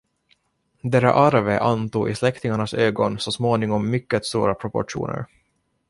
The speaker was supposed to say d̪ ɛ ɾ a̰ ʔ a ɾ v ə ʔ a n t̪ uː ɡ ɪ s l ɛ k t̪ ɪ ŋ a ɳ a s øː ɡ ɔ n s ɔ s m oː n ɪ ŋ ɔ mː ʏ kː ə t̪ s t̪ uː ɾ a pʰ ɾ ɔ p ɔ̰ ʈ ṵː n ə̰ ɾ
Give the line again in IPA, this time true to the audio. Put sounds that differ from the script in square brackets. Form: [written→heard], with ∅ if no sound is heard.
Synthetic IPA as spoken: d̪ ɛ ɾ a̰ ʔ a ɾ v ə ʔ a n t̪ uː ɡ ɪ s l ɛ k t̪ ɪ ŋ a ɳ a s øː ɡ ɔ n s ɔ s m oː n ɪ ŋ ɔ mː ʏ kː ə t̪ s t̪ uː ɾ a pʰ ɾ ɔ p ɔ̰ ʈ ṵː n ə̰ ɾ